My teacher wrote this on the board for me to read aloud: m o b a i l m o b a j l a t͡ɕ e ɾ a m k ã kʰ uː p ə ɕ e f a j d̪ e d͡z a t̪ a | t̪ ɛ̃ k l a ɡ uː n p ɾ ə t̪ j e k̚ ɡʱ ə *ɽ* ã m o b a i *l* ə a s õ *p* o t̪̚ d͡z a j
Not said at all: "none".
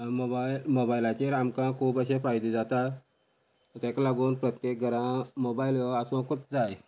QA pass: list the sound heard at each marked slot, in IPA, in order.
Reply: ɾ, l, k

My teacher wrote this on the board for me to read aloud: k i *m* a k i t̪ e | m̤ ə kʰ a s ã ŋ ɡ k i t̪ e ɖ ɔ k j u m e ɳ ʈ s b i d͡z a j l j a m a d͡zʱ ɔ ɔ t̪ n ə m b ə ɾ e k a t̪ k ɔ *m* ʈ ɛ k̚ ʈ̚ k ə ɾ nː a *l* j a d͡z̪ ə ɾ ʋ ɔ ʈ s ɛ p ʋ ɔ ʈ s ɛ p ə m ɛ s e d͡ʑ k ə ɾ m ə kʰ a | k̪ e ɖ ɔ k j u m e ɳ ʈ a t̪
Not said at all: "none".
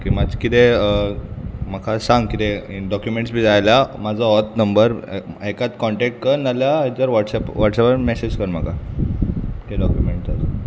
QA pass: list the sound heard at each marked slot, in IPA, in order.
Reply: m, ɳ, l

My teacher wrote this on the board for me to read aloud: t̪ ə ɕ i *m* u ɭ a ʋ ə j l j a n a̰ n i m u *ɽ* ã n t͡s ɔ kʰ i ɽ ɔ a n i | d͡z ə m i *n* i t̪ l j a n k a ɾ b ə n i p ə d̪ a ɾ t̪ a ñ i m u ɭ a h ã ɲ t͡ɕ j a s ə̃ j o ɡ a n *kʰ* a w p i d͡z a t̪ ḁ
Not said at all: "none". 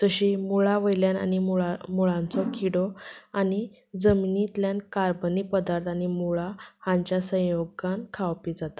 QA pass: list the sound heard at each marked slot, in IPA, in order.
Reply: m, ɭ, n, kʰ

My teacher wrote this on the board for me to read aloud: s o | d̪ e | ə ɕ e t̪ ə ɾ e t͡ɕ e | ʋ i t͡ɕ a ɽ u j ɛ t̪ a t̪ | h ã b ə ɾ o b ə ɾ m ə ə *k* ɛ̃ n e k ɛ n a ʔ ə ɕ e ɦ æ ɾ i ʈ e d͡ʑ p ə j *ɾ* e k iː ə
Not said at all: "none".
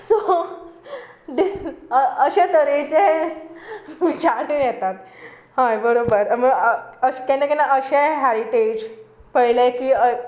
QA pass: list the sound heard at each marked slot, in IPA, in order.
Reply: k, l

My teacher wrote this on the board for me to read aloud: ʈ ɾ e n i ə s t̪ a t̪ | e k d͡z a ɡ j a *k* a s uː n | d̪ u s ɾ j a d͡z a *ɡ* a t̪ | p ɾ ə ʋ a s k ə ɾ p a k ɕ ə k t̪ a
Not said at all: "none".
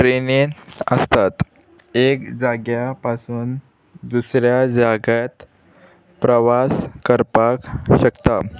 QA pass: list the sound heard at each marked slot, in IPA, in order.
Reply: p, ɡ

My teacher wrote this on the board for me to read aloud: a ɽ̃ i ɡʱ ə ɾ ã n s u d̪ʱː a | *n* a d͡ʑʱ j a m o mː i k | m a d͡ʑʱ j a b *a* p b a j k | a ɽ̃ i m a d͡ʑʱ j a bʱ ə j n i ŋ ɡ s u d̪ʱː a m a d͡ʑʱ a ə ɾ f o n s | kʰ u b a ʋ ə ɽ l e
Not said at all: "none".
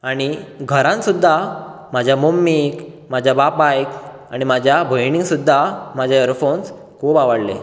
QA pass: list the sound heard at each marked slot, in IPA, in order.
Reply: m, a

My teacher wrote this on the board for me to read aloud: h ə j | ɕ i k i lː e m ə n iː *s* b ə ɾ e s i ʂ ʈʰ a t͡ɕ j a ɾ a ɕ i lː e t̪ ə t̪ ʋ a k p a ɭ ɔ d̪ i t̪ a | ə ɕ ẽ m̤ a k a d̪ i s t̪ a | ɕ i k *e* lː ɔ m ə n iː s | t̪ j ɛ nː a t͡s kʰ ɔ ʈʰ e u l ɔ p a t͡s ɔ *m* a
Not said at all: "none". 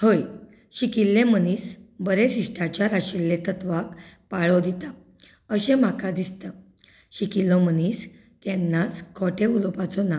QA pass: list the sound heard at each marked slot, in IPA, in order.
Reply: s, i, n

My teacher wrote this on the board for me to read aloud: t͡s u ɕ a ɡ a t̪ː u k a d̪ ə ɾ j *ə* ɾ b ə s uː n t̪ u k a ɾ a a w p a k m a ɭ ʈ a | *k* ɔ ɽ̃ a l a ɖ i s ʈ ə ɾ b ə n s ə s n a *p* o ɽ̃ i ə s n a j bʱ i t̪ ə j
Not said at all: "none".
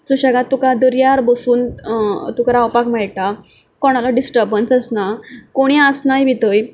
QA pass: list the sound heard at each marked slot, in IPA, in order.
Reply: a, k, k

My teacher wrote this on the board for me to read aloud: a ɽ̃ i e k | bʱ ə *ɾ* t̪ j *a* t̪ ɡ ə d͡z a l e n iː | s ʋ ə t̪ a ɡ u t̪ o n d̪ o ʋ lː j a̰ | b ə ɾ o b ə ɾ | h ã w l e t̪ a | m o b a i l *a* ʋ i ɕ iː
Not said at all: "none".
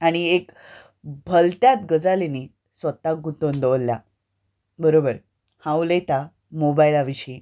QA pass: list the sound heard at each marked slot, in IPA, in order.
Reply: l, a, a

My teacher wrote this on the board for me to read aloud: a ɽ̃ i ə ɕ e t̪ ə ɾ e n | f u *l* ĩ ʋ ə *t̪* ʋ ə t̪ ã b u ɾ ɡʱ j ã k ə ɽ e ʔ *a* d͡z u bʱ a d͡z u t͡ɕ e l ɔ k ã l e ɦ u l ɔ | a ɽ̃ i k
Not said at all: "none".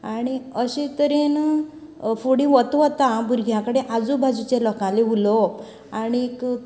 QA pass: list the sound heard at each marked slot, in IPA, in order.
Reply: ɽ, t̪, a

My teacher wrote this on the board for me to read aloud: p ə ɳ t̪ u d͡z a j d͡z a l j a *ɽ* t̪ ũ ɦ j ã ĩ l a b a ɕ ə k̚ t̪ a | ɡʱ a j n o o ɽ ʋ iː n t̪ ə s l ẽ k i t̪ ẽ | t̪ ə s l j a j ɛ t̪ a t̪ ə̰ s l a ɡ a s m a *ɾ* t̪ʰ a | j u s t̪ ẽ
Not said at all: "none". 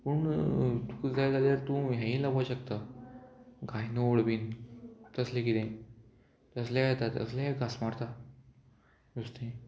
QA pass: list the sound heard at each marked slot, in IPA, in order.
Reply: ɾ, ɾ

